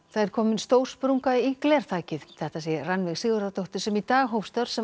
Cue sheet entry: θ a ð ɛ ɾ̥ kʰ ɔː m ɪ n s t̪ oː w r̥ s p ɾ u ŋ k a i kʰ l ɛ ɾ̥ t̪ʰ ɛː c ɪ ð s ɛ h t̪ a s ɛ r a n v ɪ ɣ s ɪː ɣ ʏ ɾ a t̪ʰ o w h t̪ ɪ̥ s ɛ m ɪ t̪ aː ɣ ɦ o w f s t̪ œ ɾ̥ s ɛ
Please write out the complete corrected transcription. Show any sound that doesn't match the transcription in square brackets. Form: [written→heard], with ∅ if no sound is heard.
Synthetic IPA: θ a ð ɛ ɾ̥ kʰ ɔː m ɪ n s t̪ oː w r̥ s p ɾ u ŋ k a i [kʰ→k] l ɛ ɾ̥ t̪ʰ [ɛː→aː] c ɪ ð [s→θ] ɛ h t̪ a s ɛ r a n v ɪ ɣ s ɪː ɣ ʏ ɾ a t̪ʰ o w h t̪ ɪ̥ s ɛ m [ɪ→i] t̪ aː ɣ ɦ o w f s t̪ œ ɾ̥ s ɛ